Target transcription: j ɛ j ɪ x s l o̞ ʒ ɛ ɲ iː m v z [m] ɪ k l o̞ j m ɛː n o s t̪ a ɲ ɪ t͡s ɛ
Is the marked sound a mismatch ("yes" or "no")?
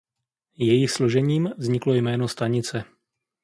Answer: yes